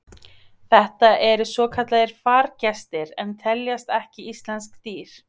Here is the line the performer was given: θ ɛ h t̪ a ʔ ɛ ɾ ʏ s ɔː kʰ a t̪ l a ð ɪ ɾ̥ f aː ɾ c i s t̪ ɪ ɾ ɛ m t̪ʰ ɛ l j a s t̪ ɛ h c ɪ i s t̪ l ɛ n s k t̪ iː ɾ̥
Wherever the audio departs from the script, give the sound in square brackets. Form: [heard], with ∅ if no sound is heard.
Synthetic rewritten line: θ ɛ h t̪ a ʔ ɛ ɾ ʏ s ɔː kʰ a t̪ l a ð ɪ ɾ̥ f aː ɾ c [ɛ] s t̪ ɪ ɾ ɛ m t̪ʰ ɛ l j a s t̪ ɛ h c ɪ i s t̪ l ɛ n s k t̪ iː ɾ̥